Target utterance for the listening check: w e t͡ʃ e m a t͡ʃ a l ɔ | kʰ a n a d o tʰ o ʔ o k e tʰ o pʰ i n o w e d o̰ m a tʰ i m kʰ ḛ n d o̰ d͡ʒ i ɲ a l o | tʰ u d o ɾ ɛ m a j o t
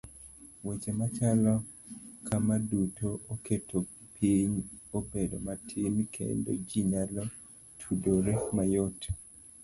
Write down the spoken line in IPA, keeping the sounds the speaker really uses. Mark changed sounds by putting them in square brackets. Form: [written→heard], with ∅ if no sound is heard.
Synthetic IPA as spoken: w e t͡ʃ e m a t͡ʃ a l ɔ | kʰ a [n→m] a d [o→u] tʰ o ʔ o k e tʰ o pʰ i [n→ɲ] o [w→b] e d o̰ m a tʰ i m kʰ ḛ n d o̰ d͡ʒ i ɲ a l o | tʰ u d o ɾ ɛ m a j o t